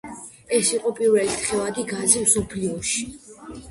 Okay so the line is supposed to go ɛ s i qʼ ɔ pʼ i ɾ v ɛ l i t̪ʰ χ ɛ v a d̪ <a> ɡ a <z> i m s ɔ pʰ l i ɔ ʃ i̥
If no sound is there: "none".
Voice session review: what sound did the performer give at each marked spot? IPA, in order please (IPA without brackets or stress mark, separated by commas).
i, z